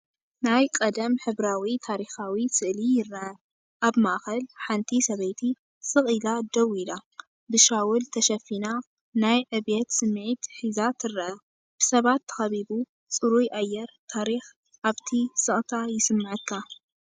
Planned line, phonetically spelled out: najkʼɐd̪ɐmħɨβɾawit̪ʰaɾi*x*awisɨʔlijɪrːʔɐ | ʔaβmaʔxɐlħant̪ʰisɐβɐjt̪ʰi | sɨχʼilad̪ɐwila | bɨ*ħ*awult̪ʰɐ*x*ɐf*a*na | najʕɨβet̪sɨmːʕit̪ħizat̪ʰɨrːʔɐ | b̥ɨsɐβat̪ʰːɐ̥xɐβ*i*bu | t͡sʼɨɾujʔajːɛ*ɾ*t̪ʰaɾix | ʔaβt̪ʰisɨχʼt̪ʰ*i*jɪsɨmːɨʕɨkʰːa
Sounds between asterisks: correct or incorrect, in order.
correct, incorrect: ʃ, incorrect: ʃ, incorrect: i, correct, correct, incorrect: a

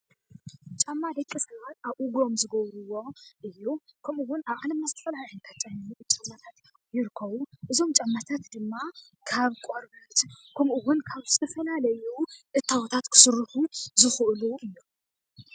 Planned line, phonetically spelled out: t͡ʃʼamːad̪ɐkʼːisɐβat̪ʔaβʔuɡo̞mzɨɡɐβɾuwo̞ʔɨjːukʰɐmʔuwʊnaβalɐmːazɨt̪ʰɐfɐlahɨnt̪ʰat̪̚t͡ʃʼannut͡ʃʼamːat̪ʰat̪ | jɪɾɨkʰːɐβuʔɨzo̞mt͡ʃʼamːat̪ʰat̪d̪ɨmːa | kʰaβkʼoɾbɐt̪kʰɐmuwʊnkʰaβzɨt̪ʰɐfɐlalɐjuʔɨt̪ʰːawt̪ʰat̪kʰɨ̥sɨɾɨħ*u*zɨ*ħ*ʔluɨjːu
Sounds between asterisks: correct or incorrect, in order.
correct, incorrect: x

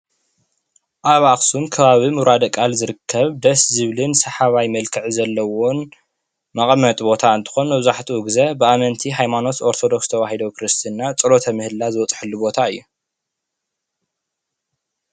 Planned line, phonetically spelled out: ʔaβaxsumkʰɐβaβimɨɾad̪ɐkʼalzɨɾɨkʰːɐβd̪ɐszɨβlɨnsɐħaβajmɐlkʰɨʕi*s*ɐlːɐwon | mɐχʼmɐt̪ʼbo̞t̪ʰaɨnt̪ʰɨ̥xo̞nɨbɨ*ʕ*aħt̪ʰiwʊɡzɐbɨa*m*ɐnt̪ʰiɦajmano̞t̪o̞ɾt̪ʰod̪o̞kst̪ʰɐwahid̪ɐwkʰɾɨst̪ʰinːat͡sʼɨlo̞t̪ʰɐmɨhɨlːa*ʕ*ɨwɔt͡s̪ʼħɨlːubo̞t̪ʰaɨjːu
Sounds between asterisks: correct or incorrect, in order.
incorrect: z, incorrect: z, correct, incorrect: z

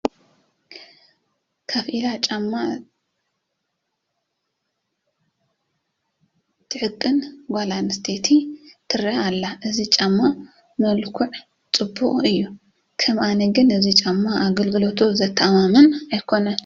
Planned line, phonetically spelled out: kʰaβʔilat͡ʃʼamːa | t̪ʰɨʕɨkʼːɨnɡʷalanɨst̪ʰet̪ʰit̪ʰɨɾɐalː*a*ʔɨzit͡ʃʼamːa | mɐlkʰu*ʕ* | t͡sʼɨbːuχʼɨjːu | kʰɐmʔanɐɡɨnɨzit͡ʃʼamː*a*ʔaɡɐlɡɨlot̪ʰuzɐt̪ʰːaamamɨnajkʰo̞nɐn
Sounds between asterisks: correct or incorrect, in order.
correct, correct, correct

